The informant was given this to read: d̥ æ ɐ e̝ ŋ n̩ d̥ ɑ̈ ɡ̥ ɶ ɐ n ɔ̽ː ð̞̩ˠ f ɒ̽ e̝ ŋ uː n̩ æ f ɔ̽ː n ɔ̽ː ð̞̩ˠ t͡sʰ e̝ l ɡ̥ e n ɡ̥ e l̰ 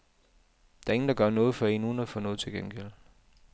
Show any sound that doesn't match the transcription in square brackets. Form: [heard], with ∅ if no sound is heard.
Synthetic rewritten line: d̥ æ ɐ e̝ ŋ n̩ d̥ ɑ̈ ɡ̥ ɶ ɐ n ɔ̽ː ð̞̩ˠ f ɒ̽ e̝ [n] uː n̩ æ f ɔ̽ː n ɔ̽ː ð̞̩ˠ t͡sʰ e̝ l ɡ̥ e n ɡ̥ e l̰